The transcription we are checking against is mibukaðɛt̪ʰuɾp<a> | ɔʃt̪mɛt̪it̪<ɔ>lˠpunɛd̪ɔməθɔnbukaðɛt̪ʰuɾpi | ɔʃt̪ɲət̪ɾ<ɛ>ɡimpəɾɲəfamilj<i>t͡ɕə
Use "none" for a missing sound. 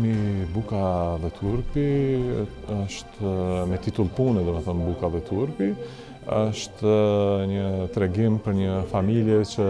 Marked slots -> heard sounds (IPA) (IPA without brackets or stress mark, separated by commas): i, u, ɛ, ɛ